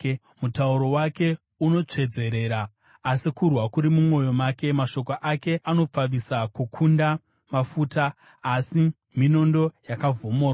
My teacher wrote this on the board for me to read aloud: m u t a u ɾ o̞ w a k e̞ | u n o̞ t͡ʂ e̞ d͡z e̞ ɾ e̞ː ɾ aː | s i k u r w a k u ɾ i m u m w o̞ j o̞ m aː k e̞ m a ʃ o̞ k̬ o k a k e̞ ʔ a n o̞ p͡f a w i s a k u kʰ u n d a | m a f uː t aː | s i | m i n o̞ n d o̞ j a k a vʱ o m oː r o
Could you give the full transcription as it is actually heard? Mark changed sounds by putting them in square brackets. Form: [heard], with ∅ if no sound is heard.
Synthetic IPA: m u t a u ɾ o̞ w a k e̞ | u n o̞ t͡ʂ e̞ d͡z e̞ ɾ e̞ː ɾ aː | s i k u r w a k u ɾ i m u m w o̞ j o̞ m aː k e̞ m a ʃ o̞ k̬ o [ʔ] a k e̞ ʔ a n o̞ p͡f a [ʋ] i s a k u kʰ u n d a | m a f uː t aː | s i | m i n o̞ n d o̞ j a k a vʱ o m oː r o